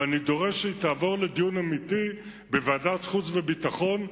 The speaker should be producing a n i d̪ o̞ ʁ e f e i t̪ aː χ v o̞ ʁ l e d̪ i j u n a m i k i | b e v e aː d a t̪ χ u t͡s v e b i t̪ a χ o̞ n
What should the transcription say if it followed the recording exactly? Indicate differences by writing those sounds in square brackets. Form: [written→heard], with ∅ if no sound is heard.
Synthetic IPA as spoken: a n i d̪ o̞ ʁ e [f→ʃ] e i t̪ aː [χ→∅] v o̞ ʁ l e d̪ i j u n a m i [k→t] i | b e v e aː d a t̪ χ u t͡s v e b i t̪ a χ o̞ n

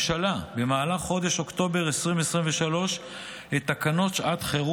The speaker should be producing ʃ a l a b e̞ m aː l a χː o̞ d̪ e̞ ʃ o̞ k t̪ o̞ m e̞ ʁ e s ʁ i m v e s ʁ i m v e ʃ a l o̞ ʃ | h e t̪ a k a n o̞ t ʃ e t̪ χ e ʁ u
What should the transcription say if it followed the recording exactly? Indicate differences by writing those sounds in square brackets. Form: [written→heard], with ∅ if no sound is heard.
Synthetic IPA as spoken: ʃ a l a b e̞ m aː l a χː o̞ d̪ e̞ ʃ o̞ k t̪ o̞ [m→b] e̞ ʁ e s ʁ i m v e s ʁ i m v e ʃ a l o̞ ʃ | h e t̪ a k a n o̞ t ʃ [e→a] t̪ χ e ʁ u

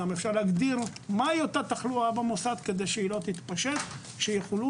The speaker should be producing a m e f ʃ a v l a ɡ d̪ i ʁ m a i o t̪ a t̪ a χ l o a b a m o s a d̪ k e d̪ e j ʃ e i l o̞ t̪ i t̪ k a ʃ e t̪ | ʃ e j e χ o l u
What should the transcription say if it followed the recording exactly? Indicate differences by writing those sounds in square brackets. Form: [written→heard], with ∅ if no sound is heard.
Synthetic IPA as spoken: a m e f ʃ a [v→ʁ] l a ɡ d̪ i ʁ m a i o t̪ a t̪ a χ l [o→u] a b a m o s a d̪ k e d̪ e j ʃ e i l o̞ t̪ i t̪ [k→p] a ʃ e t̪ | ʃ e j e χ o l u

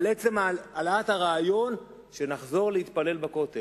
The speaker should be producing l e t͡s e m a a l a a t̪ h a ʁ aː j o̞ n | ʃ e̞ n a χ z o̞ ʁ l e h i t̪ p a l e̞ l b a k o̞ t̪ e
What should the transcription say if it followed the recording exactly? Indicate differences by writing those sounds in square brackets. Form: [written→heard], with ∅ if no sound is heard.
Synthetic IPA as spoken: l e t͡s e m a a l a a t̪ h a ʁ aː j o̞ n | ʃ e̞ n a χ z o̞ ʁ l e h i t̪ p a l e̞ l b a k o̞ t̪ e

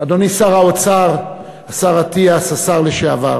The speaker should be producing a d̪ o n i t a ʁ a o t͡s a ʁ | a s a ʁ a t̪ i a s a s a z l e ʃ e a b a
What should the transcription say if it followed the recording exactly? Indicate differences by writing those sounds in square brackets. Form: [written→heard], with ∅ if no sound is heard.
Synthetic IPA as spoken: a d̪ o n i [t→s] a ʁ a o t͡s a ʁ | a s a ʁ a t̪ i a s a s a [z→ʁ] l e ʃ e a [b→v] a

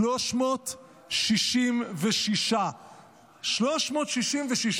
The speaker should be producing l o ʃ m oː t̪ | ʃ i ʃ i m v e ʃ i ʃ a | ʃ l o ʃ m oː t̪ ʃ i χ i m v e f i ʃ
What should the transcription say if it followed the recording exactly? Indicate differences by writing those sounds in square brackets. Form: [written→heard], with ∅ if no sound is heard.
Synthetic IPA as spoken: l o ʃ m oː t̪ | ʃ i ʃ i m v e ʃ i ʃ a | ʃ l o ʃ m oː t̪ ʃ i [χ→ʃ] i m v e [f→ʃ] i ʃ

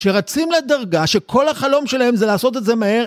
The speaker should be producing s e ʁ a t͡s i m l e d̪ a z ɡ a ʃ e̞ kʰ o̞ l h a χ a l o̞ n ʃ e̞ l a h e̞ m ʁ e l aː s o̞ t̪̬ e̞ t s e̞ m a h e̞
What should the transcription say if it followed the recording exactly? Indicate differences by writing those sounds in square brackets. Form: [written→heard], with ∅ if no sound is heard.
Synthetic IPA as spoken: [s→ʃ] e ʁ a t͡s i m l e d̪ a [z→ʁ] ɡ a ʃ e̞ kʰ o̞ l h a χ a l o̞ [n→m] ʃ e̞ l a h e̞ m [ʁ→z] e l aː s o̞ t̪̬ e̞ t [s→z] e̞ m a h e̞

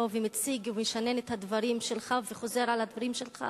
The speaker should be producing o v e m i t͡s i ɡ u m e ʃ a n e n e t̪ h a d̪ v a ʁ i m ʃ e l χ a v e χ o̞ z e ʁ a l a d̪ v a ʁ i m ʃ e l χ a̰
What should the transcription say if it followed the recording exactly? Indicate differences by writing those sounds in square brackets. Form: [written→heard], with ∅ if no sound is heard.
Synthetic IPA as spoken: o v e m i t͡s i ɡ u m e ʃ a n e n e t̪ h a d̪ v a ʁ i m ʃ e l χ a v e χ o̞ z e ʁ a l a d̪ v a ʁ i m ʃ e l χ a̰

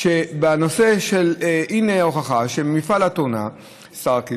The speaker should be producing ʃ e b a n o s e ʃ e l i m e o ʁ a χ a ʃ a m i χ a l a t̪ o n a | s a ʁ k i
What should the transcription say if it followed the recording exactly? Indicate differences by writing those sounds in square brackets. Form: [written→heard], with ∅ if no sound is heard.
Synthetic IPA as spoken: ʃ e b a n o s e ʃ e l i [m→n] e o [ʁ→χ] a χ a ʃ [a→e] m i [χ→f] a l a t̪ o n a | s a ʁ k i

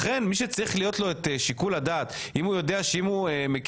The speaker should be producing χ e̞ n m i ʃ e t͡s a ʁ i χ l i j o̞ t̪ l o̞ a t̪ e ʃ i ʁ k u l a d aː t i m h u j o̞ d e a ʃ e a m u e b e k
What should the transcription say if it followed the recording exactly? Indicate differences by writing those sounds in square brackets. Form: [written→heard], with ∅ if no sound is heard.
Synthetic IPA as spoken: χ e̞ n m i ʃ e t͡s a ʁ i χ l i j o̞ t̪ l o̞ [a→e] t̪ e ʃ i [ʁ→∅] k u l a d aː t i m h u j o̞ d e a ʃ e [a→i] m u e [b→m] e k

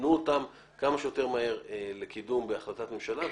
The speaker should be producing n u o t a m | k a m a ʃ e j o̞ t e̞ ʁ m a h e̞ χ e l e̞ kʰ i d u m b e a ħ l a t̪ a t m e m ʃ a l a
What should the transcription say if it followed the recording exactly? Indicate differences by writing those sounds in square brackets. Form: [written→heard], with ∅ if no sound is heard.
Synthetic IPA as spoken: n u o t a m | k a m a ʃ e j o̞ t e̞ ʁ m a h e̞ [χ→ʁ] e l e̞ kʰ i d u m b e a [ħ→χ] l a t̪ a t m e m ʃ a l a

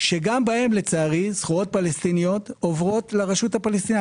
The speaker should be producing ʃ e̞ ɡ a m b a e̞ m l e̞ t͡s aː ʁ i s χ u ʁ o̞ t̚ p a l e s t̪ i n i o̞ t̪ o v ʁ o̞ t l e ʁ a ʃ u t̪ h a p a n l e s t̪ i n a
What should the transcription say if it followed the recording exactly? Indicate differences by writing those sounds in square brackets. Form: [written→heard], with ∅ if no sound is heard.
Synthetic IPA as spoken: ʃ e̞ ɡ a m b a e̞ m l e̞ t͡s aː ʁ i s χ u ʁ o̞ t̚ p a l e s t̪ i n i o̞ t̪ o v ʁ o̞ t l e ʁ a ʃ u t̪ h a p a [n→∅] l e s t̪ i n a

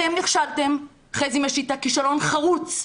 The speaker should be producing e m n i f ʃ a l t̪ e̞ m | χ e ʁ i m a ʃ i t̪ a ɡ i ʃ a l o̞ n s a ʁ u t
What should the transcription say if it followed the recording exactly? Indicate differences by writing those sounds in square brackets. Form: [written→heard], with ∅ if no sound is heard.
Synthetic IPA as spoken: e m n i [f→χ] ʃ a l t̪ e̞ m | χ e [ʁ→z] i m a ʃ i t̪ a [ɡ→k] i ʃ a l o̞ n [s→χ] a ʁ u [t→t͡s]

